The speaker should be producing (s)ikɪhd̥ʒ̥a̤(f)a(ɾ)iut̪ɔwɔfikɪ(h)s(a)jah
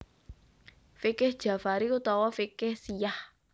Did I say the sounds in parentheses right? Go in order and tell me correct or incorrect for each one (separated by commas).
incorrect, correct, correct, correct, incorrect